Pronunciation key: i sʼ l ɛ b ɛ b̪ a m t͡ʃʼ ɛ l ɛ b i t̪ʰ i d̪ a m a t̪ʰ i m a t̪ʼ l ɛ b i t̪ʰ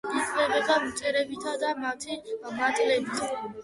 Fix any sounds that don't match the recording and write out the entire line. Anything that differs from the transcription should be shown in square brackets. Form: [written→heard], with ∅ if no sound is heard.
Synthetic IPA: i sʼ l ɛ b ɛ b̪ a m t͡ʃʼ ɛ [l→ɾ] ɛ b i t̪ʰ [i→a] d̪ a m a t̪ʰ i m a t̪ʼ l ɛ b i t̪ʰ